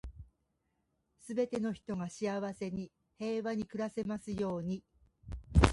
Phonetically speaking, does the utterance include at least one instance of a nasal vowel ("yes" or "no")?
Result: no